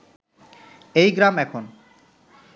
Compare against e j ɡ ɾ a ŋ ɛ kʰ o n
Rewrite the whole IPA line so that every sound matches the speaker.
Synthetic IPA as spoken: e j ɡ ɾ a m ɛ kʰ o n

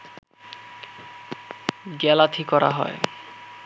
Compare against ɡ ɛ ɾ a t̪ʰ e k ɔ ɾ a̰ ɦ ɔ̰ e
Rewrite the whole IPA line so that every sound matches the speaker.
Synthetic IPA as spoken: ɡ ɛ l a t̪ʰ i k ɔ ɾ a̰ ɦ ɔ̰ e

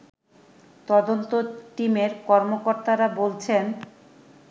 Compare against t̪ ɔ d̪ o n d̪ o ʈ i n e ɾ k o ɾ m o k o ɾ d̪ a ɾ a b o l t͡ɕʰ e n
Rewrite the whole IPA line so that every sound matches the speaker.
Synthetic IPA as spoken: t̪ ɔ d̪ o n t̪ o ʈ i m e ɾ k ɔ ɾ m o k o ɾ t̪ a ɾ a b o l t͡ɕʰ e n

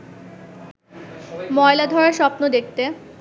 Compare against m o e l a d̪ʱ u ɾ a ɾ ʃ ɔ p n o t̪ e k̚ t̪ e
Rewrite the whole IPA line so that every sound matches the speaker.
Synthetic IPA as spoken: m ɔ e l a d̪ʱ ɔ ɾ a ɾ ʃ ɔ p n o d̪ e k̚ t̪ e

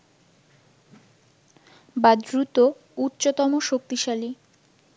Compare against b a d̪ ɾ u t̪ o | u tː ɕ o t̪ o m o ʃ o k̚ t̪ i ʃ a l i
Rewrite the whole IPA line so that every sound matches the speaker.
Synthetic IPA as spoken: b a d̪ ɾ u t̪ o | u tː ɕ o t̪ ɔ m o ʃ o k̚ t̪ i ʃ a l i

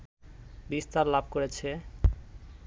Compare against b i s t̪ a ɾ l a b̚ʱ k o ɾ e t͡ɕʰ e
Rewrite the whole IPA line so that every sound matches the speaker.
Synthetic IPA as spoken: b i s t̪ a ɾ l a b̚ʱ k o ɾ e t͡ɕʰ e

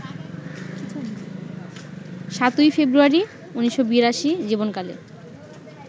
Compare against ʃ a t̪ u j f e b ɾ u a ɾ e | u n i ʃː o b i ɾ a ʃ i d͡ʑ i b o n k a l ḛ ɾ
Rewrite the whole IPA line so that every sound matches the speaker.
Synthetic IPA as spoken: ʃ a t̪ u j f e b ɾ u a ɾ i | u n i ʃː o b i ɾ a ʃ i d͡ʑ i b o n k a l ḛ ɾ

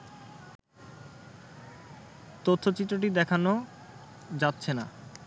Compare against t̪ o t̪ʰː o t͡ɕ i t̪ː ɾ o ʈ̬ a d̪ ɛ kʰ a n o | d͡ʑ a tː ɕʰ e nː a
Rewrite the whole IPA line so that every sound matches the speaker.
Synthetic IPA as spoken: t̪ o t̪ʰː o t͡ɕ i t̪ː ɾ o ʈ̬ i d̪ ɛ kʰ a n o | d͡ʑ a tː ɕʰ e n a

